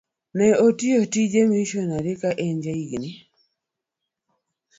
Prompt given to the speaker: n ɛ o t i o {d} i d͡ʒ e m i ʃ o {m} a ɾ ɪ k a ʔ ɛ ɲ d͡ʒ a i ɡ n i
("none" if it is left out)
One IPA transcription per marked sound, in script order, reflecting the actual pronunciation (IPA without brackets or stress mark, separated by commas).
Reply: t, n